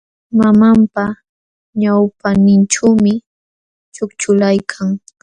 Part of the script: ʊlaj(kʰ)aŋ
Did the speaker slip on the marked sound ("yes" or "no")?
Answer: no